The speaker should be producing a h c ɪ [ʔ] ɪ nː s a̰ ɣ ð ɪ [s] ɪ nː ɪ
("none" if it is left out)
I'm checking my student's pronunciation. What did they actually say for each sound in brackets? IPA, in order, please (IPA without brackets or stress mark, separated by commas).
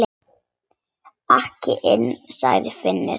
ʔ, f